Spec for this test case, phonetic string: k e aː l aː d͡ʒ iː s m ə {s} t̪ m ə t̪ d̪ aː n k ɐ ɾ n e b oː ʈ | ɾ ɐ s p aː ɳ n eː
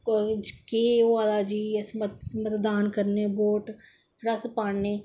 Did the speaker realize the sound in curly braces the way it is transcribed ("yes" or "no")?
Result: no